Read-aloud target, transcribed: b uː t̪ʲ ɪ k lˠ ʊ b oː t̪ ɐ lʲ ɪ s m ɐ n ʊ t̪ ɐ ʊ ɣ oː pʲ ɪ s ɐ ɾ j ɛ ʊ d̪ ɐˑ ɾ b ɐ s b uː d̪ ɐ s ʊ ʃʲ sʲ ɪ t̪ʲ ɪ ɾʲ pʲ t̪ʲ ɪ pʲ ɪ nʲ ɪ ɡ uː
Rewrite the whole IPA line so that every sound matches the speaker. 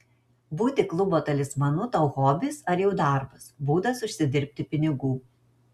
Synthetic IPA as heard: b uː t̪ʲ ɪ k lˠ ʊ b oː t̪ ɐ lʲ ɪ s m ɐ n ʊ t̪ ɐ ʊ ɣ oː bʲ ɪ s ɐ ɾ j ɛ ʊ d̪ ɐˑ ɾ b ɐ s b uː d̪ ɐ s ʊ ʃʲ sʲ ɪ d̪ʲ ɪ ɾʲ pʲ t̪ʲ ɪ pʲ ɪ nʲ ɪ ɡ uː